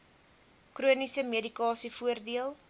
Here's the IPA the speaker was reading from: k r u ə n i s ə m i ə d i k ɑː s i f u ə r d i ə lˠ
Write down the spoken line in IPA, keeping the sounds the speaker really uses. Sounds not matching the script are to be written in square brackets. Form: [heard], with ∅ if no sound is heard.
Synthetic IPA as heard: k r u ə n i s ə m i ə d i k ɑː s i f u ə r d i ə lˠ

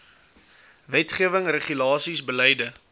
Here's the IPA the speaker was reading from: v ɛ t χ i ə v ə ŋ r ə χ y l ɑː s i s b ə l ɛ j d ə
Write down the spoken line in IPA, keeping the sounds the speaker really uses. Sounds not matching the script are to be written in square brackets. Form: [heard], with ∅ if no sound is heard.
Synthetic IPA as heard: v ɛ t χ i ə v ə ŋ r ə χ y l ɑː s i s b ə l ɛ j d ə

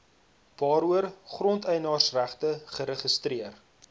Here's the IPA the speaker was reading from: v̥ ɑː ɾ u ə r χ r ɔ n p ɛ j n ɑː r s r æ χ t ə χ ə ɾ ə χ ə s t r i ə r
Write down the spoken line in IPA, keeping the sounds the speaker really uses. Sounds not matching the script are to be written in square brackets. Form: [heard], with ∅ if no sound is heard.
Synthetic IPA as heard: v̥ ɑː ɾ u ə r χ r ɔ n [t] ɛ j n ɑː r s r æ χ t ə χ ə ɾ ə χ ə s t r i ə r

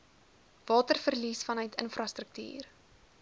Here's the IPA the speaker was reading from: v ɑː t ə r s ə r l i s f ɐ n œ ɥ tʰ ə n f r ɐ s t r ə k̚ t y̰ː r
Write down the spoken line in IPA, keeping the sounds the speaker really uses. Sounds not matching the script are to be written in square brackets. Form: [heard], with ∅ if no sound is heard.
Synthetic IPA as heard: v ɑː t ə r [f] ə r l i s f ɐ n œ ɥ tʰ ə n f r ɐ s t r ə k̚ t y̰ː r

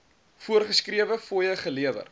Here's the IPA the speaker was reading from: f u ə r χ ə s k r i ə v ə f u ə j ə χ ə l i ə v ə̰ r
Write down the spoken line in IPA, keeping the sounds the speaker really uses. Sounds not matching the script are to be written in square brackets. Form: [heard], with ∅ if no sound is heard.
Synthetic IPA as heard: f u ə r χ ə s k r i ə v ə f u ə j ə χ ə l i ə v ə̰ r

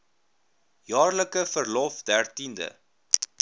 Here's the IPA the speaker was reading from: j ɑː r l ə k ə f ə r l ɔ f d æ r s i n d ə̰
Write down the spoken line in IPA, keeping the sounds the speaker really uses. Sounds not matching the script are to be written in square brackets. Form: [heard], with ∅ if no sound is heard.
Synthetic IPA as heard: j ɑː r l ə k ə f ə r l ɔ f d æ r [t] i n d ə̰

